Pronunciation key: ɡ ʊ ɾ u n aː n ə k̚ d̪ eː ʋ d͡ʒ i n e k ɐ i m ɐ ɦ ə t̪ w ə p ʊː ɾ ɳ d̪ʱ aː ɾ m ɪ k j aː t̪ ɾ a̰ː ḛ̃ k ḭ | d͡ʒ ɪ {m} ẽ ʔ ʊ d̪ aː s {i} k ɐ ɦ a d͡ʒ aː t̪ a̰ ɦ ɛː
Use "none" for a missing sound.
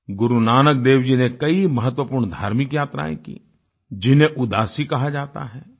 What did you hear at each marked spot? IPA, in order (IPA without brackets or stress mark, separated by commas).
n, i